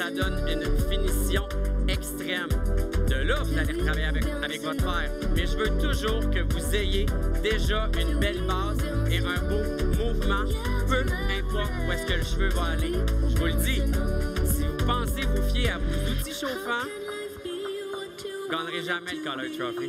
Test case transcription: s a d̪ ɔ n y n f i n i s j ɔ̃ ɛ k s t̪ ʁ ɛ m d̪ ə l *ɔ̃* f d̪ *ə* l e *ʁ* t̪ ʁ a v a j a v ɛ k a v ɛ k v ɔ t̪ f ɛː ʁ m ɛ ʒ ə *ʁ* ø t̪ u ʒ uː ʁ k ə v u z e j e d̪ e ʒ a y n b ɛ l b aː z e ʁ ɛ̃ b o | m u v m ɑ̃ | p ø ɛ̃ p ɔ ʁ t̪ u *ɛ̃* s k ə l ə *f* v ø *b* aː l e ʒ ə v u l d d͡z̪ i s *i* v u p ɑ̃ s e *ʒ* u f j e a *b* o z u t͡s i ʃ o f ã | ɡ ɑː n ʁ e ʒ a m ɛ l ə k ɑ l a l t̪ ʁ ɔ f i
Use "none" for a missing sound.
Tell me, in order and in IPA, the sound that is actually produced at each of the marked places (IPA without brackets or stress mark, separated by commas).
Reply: ɔ, a, ʁ, v, ɛ, ʃ, v, i, v, v